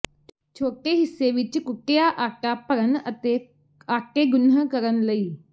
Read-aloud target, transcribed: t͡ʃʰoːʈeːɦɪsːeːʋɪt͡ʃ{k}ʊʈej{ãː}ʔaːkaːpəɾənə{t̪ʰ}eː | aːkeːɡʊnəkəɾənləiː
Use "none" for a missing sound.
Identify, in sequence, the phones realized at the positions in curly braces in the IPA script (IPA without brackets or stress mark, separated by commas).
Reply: k, aː, t̪